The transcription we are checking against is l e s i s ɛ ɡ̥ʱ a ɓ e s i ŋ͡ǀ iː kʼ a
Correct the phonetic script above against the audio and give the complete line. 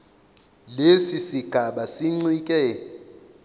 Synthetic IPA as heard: l e s i s i ɡ̥ʱ a ɓ a s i ŋ͡ǀ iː kʼ ɛ